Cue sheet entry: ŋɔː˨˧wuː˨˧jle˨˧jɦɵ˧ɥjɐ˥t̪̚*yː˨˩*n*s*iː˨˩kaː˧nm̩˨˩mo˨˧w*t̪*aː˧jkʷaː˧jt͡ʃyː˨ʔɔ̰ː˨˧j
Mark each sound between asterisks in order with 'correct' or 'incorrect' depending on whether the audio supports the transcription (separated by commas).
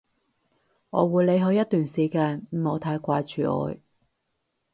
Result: correct, correct, incorrect